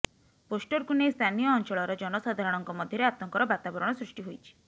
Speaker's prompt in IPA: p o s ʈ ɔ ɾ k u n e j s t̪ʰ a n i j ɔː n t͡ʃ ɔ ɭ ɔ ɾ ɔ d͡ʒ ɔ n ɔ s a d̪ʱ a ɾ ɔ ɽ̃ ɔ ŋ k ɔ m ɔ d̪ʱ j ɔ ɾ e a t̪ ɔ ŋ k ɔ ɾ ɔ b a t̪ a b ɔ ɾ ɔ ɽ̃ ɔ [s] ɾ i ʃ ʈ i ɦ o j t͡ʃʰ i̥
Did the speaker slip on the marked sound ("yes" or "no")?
no